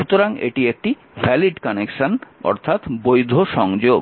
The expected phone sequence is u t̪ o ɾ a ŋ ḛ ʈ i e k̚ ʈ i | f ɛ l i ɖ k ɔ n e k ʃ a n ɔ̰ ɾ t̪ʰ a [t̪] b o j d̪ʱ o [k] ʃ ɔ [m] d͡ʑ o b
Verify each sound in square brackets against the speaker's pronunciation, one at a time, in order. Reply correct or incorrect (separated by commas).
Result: correct, incorrect, incorrect